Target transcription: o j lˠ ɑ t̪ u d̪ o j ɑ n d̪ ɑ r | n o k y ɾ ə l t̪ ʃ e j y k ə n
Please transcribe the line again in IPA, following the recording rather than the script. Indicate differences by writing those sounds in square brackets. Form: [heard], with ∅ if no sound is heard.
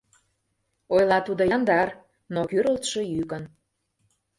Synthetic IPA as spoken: o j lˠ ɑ t̪ u d̪ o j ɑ n d̪ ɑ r | n o k y ɾ ə l t̪ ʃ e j y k ə n